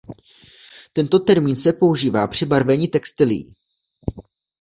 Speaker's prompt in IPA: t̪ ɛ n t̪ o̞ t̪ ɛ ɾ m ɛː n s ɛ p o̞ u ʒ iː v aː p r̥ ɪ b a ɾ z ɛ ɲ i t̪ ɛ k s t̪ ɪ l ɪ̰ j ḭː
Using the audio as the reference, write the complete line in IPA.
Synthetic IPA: t̪ ɛ n t̪ o̞ t̪ ɛ ɾ m iː n s ɛ p o̞ u ʒ iː v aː p r̥ ɪ b a ɾ v ɛ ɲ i t̪ ɛ k s t̪ ɪ l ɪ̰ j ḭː